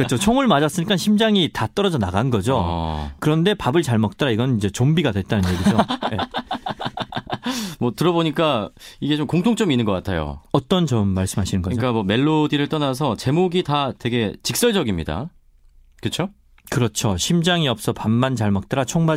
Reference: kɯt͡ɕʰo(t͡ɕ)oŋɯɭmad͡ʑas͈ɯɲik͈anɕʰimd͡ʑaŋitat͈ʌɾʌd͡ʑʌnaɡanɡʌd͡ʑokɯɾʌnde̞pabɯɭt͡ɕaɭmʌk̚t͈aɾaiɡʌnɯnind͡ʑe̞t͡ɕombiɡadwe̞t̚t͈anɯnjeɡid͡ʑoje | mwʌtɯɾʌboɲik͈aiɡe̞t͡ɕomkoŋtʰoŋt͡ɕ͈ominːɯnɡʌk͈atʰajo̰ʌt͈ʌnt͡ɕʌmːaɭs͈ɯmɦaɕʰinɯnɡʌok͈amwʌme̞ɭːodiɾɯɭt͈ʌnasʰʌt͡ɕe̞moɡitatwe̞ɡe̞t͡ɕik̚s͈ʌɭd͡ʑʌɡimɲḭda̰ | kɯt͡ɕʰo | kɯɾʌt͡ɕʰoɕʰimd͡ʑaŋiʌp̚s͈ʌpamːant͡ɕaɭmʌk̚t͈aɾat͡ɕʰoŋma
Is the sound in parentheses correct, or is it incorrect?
incorrect